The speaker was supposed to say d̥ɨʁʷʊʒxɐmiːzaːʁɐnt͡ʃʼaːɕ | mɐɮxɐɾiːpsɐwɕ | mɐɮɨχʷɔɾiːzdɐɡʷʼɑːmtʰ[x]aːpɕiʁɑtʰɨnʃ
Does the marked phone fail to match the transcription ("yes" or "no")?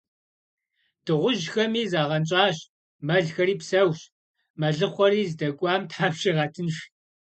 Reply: yes